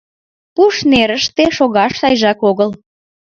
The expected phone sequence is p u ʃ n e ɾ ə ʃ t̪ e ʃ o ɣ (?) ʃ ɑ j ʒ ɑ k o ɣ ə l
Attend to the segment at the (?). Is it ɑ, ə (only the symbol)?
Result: ɑ